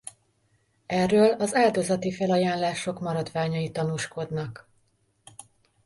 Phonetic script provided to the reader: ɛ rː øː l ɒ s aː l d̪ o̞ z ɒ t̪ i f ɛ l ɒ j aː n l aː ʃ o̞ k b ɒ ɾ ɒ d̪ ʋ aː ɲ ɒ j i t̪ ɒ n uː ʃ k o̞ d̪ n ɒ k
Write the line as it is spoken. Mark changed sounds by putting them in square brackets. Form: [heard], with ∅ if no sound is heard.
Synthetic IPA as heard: ɛ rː øː l ɒ [z] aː l d̪ o̞ z ɒ t̪ i f ɛ l ɒ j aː n l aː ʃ o̞ k [m] ɒ ɾ ɒ d̪ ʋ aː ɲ ɒ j i t̪ ɒ n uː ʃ k o̞ d̪ n ɒ k